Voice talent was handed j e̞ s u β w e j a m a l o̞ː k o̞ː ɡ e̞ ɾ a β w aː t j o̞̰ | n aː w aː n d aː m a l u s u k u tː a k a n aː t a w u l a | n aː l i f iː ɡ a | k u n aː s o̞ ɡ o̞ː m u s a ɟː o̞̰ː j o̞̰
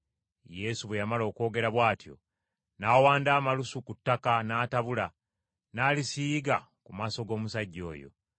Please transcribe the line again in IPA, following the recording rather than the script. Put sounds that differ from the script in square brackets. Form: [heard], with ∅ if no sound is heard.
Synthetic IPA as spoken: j e̞ s u β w e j a m a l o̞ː k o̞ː ɡ e̞ ɾ a β w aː t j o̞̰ | n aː w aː n d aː m a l u s u k u tː a k a n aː t a [β] u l a | n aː l i [s] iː ɡ a | k u [m] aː s o̞ ɡ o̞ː m u s a ɟː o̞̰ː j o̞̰